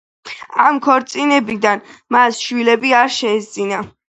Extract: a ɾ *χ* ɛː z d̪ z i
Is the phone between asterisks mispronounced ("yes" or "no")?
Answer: yes